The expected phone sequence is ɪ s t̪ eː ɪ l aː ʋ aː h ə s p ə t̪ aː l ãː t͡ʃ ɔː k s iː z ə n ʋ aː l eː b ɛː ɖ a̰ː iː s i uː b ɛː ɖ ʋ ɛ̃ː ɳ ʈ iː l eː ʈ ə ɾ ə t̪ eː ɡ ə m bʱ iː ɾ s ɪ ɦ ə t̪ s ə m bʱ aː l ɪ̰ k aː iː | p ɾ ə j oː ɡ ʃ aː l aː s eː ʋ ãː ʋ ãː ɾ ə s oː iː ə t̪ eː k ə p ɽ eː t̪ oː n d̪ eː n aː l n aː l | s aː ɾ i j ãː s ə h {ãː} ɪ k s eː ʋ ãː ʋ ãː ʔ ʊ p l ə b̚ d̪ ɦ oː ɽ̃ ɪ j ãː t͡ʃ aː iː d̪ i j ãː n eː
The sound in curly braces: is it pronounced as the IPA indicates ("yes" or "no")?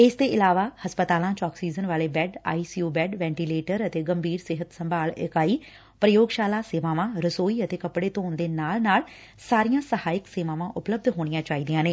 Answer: no